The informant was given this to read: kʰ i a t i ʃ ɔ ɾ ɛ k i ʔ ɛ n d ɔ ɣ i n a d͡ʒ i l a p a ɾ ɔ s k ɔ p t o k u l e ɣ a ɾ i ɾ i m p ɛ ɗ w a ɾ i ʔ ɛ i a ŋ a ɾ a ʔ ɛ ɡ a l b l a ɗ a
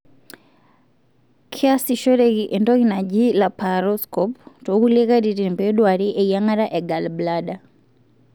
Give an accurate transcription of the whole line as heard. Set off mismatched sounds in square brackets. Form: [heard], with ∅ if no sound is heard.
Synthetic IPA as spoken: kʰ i a [s] i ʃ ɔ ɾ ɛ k i ʔ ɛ n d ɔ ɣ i n a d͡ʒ i l a p a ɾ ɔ s k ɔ p t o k u l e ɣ a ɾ i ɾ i m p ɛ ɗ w a ɾ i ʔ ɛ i a ŋ a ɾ a ʔ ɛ ɡ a l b l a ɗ a